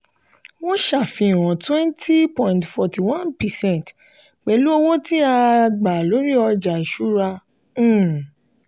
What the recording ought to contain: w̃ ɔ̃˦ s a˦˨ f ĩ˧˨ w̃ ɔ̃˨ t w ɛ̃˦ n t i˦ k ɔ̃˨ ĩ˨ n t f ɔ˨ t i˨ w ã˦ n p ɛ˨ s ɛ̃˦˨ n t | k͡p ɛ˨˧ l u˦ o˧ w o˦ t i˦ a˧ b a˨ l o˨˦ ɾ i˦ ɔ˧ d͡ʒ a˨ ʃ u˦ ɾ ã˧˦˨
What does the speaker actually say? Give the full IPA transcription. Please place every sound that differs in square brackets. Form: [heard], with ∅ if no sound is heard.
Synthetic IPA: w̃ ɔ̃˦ [ʃ] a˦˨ f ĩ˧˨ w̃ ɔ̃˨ t w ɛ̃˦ n t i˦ [p] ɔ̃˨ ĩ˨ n t f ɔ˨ t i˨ w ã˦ n p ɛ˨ s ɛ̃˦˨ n t | k͡p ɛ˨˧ l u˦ o˧ w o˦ t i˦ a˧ [ɡ͡b] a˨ l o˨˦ ɾ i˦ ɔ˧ d͡ʒ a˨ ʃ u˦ ɾ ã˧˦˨